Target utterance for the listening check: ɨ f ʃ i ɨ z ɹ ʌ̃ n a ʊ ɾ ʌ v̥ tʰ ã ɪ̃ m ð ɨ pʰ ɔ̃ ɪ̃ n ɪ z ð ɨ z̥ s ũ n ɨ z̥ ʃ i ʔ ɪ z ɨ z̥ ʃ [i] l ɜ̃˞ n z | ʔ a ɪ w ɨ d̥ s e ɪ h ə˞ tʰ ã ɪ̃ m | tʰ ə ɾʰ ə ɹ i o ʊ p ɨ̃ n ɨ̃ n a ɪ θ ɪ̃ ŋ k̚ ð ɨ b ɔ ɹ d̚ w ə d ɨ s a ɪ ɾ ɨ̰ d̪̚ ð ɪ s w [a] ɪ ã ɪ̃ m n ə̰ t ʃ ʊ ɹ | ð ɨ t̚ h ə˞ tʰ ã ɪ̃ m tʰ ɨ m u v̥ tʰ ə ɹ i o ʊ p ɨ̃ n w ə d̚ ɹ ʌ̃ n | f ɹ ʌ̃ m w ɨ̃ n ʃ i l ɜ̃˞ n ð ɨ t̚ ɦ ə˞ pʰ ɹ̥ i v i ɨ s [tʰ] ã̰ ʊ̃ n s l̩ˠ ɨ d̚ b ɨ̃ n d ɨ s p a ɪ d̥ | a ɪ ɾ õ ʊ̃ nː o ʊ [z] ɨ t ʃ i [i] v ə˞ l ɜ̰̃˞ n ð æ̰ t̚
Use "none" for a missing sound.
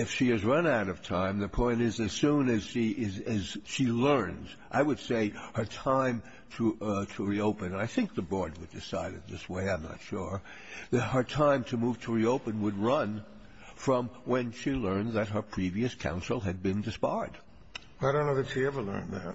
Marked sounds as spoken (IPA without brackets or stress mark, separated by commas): i, e, kʰ, ð, ɛ